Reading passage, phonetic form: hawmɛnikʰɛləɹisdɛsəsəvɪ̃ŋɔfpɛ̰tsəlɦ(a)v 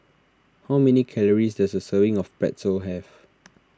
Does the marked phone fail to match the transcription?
yes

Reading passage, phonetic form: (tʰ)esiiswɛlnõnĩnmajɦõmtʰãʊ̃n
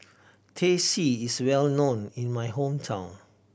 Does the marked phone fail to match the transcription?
no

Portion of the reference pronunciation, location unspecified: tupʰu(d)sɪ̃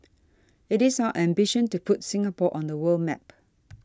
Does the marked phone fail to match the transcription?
yes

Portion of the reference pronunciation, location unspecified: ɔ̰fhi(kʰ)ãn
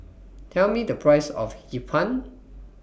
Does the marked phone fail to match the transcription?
yes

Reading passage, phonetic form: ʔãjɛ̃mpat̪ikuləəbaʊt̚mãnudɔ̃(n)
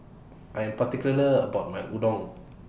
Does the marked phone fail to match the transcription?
yes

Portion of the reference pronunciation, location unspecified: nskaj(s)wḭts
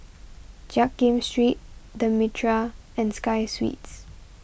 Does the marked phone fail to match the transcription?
no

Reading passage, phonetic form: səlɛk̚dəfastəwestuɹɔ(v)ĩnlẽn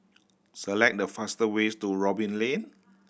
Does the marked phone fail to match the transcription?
yes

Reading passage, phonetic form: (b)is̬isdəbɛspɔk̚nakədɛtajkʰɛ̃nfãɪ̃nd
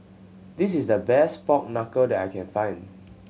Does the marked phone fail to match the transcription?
yes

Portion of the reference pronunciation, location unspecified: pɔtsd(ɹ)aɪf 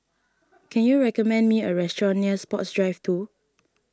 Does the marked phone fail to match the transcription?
no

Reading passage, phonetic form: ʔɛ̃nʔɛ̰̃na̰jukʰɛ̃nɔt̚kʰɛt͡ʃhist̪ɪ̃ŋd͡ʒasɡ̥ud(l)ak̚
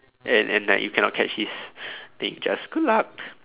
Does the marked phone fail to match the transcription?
no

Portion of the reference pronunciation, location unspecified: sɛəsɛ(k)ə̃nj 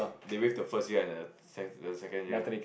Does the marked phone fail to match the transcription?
no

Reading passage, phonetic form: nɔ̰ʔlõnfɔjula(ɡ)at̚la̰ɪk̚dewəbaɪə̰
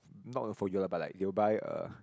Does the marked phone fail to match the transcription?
yes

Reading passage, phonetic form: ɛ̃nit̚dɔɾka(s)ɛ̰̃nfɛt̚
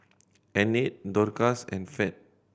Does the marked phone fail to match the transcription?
no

